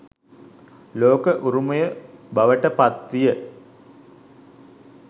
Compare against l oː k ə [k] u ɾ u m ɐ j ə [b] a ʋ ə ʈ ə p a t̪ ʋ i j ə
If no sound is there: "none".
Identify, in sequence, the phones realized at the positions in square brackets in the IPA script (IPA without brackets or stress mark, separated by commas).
ʔ, b